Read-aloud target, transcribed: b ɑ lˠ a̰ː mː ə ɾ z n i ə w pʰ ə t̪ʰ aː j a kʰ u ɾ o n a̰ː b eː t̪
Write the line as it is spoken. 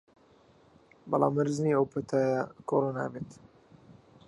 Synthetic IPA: b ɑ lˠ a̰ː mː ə ɾ z n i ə w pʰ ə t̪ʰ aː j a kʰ o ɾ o n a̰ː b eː t̪